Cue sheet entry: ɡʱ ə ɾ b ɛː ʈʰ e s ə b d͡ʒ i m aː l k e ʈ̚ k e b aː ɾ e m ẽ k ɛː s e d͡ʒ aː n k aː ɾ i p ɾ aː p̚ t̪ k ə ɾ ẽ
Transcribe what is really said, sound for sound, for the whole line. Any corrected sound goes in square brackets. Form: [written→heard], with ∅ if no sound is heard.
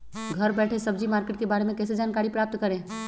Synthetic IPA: ɡʱ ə ɾ b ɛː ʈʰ e s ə b d͡ʒ i m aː [l→ɾ] k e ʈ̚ k e b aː ɾ e m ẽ k ɛː s e d͡ʒ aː n k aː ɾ i p ɾ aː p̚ t̪ k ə ɾ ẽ